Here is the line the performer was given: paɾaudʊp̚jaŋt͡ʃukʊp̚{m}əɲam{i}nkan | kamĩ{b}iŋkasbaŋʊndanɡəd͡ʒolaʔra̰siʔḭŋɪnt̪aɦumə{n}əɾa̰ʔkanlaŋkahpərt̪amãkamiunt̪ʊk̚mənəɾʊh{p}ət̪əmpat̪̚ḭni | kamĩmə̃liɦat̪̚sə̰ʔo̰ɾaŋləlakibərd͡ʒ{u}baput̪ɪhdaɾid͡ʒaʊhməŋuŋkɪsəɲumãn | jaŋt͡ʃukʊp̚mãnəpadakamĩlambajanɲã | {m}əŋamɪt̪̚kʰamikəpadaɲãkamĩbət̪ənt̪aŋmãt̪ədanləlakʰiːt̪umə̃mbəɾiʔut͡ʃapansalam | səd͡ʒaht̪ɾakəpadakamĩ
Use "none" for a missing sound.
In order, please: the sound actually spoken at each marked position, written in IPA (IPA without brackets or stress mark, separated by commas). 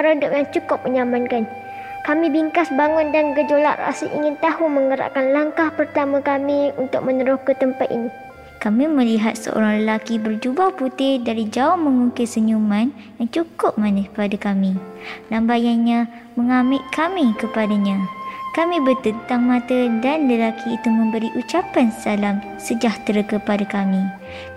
m, a, b, ŋ, k, u, m